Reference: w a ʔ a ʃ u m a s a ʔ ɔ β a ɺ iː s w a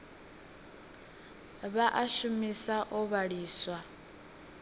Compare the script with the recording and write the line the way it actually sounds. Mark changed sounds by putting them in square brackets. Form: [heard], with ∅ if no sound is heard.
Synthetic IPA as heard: [β] a ʔ a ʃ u m [i] s a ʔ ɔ β a ɺ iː s w a